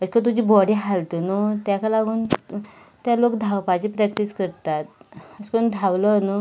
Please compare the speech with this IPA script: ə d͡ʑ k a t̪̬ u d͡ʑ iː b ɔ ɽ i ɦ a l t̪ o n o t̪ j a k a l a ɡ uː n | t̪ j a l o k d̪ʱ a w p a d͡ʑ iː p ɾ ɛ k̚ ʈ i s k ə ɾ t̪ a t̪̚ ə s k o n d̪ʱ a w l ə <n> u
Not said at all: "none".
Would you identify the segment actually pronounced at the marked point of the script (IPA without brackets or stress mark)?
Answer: n